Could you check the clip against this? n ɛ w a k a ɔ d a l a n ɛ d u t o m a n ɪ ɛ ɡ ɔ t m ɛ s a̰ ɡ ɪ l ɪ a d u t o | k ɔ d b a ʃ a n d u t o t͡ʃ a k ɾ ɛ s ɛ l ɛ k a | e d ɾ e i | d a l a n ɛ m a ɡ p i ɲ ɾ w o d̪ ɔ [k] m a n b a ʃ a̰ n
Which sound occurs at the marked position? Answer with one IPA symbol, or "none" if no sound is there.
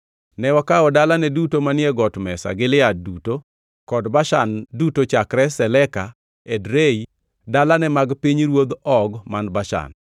ɡ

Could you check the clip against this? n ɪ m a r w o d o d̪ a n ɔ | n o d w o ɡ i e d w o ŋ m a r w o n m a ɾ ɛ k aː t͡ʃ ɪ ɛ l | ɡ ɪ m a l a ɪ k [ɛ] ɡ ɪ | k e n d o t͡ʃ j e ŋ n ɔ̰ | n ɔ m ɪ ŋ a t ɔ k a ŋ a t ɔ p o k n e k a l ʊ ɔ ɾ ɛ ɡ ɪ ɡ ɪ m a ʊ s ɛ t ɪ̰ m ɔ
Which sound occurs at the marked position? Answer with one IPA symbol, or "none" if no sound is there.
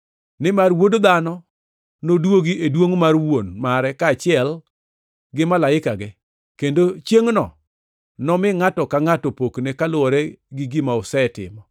a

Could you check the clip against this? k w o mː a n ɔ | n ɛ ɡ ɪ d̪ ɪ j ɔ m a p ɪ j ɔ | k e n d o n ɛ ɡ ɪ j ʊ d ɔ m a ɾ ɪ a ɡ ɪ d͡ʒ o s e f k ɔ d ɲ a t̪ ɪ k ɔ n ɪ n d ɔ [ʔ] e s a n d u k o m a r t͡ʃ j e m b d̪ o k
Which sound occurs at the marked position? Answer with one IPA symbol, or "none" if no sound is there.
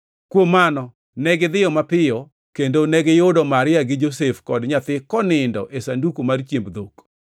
ʔ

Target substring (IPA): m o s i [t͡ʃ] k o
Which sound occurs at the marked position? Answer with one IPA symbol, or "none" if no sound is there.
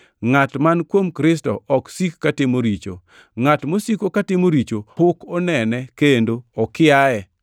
none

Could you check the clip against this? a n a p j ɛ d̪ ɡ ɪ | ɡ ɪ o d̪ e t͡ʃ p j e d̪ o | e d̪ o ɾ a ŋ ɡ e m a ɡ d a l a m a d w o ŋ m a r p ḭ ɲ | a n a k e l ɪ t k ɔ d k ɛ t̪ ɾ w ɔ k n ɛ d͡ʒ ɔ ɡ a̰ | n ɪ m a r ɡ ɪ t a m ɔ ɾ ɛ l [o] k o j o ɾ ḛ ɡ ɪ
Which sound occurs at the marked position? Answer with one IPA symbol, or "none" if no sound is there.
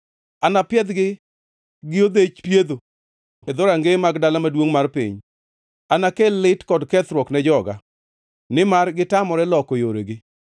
ɔ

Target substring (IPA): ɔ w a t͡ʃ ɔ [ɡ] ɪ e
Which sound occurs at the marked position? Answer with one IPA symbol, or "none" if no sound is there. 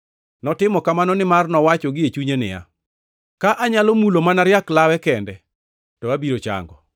ɡ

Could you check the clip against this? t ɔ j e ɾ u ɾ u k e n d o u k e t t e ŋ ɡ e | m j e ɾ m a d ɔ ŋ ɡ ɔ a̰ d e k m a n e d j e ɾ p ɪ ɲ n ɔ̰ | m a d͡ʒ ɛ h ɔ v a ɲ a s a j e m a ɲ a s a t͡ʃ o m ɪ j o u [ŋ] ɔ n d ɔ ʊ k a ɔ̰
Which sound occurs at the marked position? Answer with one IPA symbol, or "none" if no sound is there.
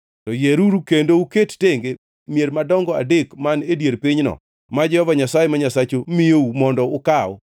m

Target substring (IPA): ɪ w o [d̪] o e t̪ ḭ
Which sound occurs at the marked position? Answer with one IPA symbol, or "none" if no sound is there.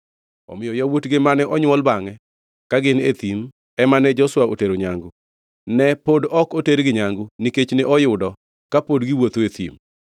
t̪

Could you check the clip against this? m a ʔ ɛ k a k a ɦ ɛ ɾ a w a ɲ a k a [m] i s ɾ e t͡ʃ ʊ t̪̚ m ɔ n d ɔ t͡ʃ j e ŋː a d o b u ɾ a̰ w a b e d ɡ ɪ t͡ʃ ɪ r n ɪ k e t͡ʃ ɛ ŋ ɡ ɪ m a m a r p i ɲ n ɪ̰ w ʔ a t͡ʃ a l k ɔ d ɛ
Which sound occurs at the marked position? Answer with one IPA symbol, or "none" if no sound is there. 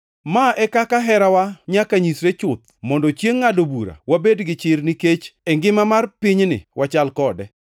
ɲ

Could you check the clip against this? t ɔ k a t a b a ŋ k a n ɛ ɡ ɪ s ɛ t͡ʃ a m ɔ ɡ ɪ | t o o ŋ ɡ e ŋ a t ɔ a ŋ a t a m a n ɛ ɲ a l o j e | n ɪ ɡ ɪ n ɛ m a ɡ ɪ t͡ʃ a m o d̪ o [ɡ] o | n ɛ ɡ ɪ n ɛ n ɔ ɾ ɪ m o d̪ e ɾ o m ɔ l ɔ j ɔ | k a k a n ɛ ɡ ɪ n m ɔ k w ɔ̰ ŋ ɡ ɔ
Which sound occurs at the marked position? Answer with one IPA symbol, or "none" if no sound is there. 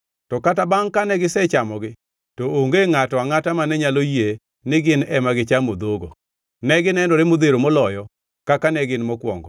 ɡ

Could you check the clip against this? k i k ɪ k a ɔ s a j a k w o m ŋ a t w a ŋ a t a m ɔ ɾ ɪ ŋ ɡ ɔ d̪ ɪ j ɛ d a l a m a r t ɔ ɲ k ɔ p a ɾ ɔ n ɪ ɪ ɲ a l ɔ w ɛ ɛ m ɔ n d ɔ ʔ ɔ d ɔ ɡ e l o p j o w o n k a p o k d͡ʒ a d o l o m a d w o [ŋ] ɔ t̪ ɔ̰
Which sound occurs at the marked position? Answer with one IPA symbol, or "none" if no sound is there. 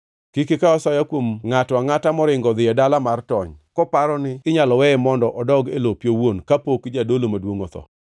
ŋ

